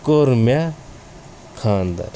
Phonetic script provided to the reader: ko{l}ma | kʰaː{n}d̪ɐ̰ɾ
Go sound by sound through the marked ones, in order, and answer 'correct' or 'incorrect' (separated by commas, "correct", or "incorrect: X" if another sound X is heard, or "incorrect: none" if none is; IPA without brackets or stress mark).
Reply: incorrect: ɾ, correct